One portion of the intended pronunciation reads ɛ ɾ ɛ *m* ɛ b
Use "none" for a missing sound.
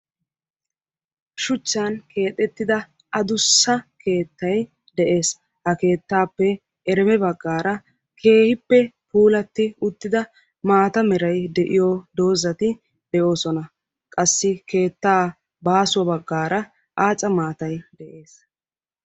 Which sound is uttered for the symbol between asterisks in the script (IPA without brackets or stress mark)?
m